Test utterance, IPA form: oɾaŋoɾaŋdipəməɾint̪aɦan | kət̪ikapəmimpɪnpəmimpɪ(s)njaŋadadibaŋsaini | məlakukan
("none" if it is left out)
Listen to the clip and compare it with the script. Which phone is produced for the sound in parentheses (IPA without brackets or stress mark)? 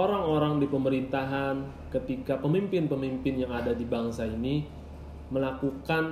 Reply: none